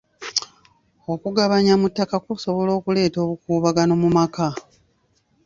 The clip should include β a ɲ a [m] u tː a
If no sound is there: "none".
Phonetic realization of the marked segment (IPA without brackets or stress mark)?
m